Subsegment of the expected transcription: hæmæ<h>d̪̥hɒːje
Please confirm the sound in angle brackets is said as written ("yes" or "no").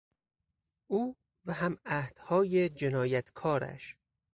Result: yes